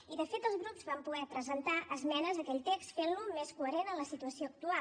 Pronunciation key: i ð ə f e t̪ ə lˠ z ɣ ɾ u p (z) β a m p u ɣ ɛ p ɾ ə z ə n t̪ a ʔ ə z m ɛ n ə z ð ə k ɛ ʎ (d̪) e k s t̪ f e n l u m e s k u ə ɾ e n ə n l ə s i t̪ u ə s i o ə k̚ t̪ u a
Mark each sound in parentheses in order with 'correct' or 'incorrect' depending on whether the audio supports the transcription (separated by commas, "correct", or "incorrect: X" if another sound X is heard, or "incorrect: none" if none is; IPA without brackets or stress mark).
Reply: correct, incorrect: t̪